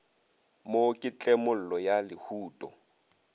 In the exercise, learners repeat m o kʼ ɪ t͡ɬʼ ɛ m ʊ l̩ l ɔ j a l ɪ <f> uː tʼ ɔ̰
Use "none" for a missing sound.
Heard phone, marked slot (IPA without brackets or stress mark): h